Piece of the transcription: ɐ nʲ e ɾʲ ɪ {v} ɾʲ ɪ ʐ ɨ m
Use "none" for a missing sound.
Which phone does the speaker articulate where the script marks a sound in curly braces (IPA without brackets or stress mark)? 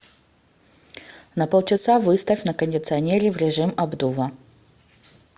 v